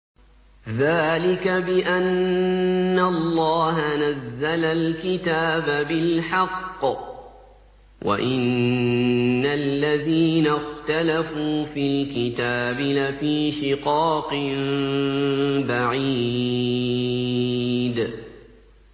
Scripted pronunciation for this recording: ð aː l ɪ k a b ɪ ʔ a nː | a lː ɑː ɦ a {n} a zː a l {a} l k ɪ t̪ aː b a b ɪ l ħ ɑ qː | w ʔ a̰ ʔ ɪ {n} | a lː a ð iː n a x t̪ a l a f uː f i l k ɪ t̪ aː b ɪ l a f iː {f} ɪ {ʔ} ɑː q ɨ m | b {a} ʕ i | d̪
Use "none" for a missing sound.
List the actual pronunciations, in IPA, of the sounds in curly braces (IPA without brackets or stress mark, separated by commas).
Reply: n, a, nː, ʃ, q, a